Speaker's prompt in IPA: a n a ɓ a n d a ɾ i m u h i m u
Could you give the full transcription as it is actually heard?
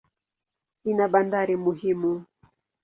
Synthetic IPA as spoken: i n a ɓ a n d a ɾ i m u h i m u